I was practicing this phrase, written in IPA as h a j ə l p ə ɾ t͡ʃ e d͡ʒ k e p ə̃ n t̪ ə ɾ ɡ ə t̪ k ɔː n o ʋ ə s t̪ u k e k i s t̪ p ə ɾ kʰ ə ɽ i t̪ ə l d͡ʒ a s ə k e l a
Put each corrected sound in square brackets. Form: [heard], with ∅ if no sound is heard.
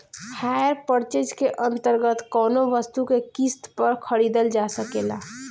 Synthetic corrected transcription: h a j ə [ɾ] p ə ɾ t͡ʃ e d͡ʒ k e [ʔ] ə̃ n t̪ ə ɾ ɡ ə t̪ k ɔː n o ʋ ə s t̪ u k e k i s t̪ p ə ɾ kʰ ə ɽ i [d̪] ə l d͡ʒ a s ə k e l a